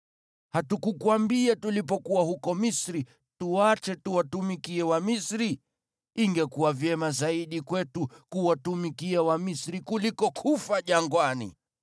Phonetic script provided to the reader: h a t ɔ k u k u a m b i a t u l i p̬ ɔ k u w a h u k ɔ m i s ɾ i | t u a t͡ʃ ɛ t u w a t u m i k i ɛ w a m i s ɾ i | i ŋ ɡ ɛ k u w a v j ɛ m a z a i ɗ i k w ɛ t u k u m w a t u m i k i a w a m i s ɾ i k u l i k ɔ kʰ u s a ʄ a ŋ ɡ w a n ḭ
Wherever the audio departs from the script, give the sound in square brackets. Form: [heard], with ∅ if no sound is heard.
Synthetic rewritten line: h a t [u] k u k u a m b i a t u l i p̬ ɔ k u w a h u k ɔ m i s ɾ i | t u a t͡ʃ ɛ t u w a t u m i k i ɛ w a m i s ɾ i | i ŋ ɡ ɛ k u w a v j ɛ m a z a i ɗ i k w ɛ t u k u [∅] w a t u m i k i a w a m i s ɾ i k u l i k ɔ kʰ u [f] a ʄ a ŋ ɡ w a n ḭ